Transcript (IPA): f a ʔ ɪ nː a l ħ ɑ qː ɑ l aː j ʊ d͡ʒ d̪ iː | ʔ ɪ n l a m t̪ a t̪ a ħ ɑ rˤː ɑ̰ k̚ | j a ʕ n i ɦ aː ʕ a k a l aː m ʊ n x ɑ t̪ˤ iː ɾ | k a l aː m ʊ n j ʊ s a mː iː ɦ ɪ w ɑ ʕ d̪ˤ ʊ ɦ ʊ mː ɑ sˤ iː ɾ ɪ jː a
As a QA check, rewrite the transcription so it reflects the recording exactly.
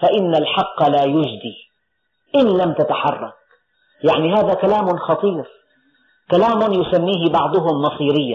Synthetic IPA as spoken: f a ʔ ɪ nː a l ħ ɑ qː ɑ l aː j ʊ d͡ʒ d̪ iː | ʔ ɪ n l a m t̪ a t̪ a ħ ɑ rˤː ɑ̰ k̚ | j a ʕ n i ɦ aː ð a k a l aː m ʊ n x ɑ t̪ˤ iː ɾ | k a l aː m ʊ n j ʊ s a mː iː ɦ ɪ b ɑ ʕ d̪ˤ ʊ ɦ ʊ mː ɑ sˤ iː ɾ ɪ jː a